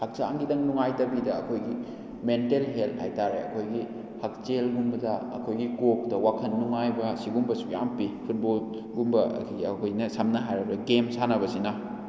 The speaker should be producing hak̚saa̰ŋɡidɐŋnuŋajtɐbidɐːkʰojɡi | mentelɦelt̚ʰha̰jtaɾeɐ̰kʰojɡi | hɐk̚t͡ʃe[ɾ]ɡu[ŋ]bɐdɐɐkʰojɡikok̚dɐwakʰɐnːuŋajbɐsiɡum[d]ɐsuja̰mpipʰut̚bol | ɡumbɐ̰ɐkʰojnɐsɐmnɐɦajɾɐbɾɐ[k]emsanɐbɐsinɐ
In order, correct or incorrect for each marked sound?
incorrect, incorrect, incorrect, incorrect

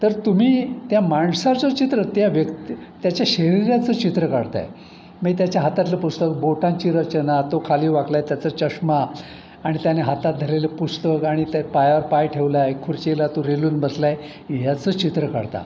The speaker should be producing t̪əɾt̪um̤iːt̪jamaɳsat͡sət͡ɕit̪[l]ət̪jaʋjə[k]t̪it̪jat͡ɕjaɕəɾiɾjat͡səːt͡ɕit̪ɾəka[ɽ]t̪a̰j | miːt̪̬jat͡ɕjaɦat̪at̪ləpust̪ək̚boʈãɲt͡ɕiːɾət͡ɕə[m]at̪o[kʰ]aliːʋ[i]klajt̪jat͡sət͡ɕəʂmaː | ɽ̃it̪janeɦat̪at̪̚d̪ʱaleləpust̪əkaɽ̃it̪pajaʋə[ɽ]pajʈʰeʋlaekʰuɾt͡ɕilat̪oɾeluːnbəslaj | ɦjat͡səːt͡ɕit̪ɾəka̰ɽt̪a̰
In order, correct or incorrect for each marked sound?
incorrect, correct, correct, incorrect, correct, incorrect, incorrect

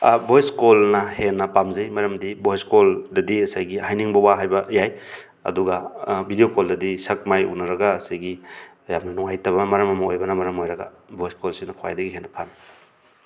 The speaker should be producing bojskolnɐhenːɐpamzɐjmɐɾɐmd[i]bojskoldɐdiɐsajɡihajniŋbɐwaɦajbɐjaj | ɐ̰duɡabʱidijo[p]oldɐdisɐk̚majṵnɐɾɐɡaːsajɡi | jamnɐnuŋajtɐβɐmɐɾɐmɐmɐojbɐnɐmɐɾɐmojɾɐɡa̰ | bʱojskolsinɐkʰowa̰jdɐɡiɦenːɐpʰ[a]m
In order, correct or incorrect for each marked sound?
correct, incorrect, correct

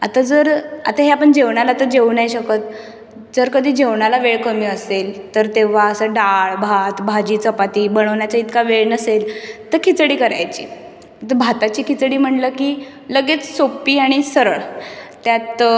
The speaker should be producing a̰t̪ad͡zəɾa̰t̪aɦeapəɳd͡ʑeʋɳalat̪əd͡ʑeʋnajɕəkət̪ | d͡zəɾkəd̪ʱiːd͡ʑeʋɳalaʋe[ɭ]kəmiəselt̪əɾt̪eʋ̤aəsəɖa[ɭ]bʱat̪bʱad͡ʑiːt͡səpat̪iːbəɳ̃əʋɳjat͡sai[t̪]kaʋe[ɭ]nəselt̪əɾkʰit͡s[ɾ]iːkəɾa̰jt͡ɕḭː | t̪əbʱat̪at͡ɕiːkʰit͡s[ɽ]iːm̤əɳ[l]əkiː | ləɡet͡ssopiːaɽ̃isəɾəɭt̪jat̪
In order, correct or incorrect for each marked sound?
correct, correct, correct, correct, incorrect, correct, correct

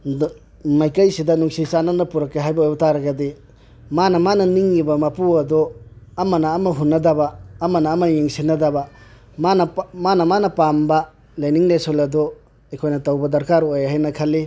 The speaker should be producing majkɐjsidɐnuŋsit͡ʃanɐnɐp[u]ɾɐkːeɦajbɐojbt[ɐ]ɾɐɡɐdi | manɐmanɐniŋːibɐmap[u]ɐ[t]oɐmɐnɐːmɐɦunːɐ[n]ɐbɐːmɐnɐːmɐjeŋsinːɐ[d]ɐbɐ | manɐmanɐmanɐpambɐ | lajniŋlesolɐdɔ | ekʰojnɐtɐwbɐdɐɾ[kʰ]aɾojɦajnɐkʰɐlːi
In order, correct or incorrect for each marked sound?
correct, incorrect, correct, incorrect, incorrect, correct, incorrect

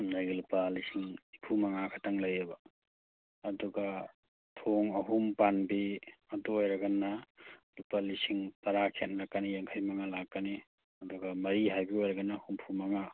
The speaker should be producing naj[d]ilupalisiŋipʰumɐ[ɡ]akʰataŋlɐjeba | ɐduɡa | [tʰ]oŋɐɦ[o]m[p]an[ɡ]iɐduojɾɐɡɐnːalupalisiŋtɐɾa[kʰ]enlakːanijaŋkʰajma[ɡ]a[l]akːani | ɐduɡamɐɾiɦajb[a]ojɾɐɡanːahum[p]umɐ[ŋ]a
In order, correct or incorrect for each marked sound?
incorrect, incorrect, correct, incorrect, correct, incorrect, correct, incorrect, correct, incorrect, incorrect, correct

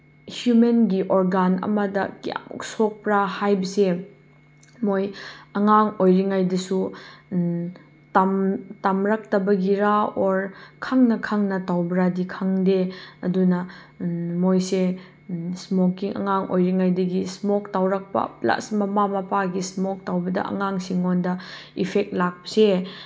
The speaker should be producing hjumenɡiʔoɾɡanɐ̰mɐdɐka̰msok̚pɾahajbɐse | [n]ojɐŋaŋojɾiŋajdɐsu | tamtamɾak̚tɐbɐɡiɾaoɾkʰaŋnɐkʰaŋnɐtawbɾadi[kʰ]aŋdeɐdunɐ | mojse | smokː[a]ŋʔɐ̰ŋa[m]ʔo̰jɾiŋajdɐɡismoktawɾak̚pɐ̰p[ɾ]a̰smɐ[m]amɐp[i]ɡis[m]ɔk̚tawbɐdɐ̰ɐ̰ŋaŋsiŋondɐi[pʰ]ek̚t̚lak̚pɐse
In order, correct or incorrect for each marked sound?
incorrect, correct, incorrect, incorrect, incorrect, correct, incorrect, correct, correct

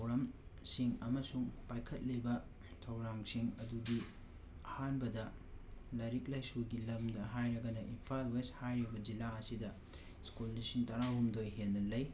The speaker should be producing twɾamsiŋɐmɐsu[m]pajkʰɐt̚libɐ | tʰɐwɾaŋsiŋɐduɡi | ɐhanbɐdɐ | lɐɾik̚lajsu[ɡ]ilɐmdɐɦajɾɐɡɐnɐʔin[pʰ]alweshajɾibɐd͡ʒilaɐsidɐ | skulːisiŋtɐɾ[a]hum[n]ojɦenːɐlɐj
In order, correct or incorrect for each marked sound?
incorrect, correct, correct, correct, incorrect

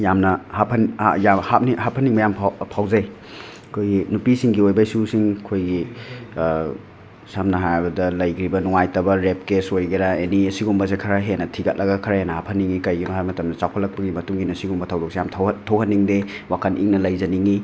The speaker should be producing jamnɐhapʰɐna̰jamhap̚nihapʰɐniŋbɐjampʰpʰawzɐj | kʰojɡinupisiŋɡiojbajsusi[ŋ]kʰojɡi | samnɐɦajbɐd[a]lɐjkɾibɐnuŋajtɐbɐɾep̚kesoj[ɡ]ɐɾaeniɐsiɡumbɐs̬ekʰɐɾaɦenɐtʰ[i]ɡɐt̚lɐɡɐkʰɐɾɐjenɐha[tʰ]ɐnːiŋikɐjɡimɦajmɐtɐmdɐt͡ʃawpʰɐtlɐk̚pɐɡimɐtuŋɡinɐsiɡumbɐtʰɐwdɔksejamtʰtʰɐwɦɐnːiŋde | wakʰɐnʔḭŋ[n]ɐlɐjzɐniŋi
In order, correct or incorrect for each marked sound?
correct, incorrect, correct, correct, incorrect, correct

